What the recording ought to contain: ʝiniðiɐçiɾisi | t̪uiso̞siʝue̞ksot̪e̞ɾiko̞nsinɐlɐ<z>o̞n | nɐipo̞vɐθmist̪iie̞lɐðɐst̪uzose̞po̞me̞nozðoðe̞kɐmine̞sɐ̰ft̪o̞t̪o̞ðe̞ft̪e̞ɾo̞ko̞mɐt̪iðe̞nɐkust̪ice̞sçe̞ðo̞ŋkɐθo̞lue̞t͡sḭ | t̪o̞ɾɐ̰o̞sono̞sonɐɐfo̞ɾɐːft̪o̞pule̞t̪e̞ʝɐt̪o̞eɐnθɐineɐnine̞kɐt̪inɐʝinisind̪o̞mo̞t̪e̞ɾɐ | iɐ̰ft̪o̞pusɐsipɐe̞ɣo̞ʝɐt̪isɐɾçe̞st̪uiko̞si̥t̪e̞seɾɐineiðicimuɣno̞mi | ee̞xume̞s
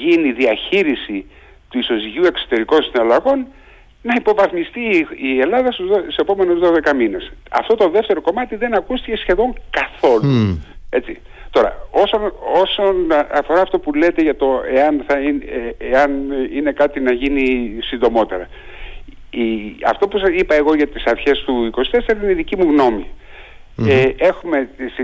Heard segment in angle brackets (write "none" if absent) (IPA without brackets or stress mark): ɣ